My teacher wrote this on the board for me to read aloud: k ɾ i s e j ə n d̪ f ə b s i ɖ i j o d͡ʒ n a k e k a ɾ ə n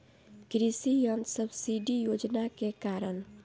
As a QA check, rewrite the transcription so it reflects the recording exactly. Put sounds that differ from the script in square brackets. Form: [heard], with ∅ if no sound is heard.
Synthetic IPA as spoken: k ɾ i s [i] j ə n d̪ [s] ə b s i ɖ i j o d͡ʒ n a k e k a ɾ ə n